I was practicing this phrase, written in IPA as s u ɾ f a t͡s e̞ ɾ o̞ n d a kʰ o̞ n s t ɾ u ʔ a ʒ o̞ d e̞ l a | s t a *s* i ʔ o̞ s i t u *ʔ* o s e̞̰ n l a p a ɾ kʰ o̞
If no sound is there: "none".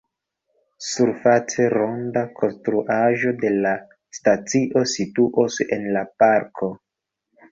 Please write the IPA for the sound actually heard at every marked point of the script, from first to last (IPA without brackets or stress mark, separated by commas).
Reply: t͡s, ʔ